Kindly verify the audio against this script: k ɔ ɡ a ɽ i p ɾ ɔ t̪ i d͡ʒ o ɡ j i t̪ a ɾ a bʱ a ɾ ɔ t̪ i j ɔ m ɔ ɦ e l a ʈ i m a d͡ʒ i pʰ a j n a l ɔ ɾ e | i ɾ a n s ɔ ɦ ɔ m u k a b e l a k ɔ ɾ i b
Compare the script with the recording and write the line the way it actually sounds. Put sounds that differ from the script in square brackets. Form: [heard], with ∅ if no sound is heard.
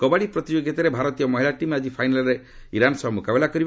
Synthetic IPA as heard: k ɔ [b] a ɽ i p ɾ ɔ t̪ i d͡ʒ o ɡ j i t̪ a ɾ [e] bʱ a ɾ ɔ t̪ i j ɔ m ɔ ɦ [i] l a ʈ i m a d͡ʒ i pʰ a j n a l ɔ ɾ e | i ɾ a n s ɔ ɦ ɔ m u k a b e l a k ɔ ɾ i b

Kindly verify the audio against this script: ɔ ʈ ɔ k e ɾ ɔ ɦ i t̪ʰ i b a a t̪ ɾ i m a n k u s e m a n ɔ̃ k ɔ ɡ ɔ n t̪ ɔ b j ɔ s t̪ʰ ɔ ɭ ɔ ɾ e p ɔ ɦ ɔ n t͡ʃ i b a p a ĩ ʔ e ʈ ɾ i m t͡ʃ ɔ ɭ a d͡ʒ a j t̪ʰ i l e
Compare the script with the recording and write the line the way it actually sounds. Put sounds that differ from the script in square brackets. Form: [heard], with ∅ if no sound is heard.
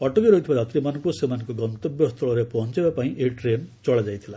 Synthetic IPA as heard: ɔ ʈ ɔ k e ɾ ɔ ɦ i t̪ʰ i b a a t̪ ɾ i m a n k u s e m a n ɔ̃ k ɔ ɡ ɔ n t̪ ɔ b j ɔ s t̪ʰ ɔ ɭ ɔ ɾ e p ɔ ɦ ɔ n t͡ʃ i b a p a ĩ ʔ e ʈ ɾ [e] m t͡ʃ ɔ ɭ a d͡ʒ a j t̪ʰ i l [a]

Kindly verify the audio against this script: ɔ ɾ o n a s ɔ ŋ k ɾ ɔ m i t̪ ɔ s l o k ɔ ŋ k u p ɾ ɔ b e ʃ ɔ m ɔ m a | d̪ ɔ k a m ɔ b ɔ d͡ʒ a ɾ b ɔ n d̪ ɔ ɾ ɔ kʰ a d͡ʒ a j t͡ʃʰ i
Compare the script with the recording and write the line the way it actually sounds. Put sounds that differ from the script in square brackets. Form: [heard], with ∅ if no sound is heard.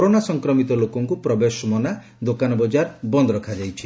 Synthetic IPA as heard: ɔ ɾ o n a s ɔ ŋ k ɾ ɔ m i t̪ ɔ [∅] l o k ɔ ŋ k u p ɾ ɔ b e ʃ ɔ m ɔ [n] a | d̪ [o] k a [n] ɔ b ɔ d͡ʒ a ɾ b ɔ n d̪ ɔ ɾ ɔ kʰ a d͡ʒ a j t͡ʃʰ i

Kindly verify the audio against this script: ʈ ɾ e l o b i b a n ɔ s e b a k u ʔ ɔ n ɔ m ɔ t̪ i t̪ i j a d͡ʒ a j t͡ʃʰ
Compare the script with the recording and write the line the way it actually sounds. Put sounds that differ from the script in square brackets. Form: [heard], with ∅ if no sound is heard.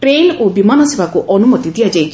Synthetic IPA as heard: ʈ ɾ e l o b i [m] a n ɔ s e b a k u ʔ ɔ n [u] m ɔ t̪ i [d̪] i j a d͡ʒ a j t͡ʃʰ

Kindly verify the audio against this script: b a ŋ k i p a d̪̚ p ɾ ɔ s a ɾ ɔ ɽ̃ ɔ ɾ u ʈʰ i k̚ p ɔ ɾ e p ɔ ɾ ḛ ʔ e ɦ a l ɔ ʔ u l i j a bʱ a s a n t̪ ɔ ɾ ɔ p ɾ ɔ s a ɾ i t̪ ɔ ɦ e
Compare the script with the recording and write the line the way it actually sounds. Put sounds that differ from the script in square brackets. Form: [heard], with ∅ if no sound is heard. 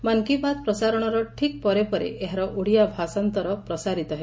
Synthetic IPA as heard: [m] a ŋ k i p a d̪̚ p ɾ ɔ s a ɾ ɔ ɽ̃ ɔ ɾ [ɔ] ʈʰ i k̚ p ɔ ɾ e p ɔ ɾ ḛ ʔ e ɦ a [ɾ] ɔ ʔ u [ɽ] i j a bʱ a s a n t̪ ɔ ɾ ɔ p ɾ ɔ s a ɾ i t̪ ɔ ɦ e

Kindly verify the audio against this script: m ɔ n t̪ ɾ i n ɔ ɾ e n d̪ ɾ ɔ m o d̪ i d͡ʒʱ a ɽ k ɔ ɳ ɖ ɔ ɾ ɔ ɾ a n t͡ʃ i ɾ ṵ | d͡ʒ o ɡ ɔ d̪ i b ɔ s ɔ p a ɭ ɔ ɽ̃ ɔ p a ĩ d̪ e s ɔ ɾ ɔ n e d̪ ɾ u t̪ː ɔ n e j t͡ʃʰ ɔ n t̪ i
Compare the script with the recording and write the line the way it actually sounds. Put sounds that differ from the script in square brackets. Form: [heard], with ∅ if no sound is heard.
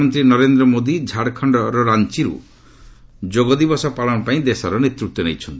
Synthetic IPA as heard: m ɔ n t̪ ɾ i n ɔ ɾ e n d̪ ɾ ɔ m o d̪ i d͡ʒʱ a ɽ [kʰ] ɔ ɳ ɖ ɔ ɾ ɔ ɾ a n t͡ʃ i ɾ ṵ | d͡ʒ o ɡ ɔ d̪ i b ɔ s ɔ p a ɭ ɔ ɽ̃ ɔ p a ĩ d̪ e s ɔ ɾ ɔ n e [t̪] ɾ u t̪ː ɔ n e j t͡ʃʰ ɔ n t̪ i

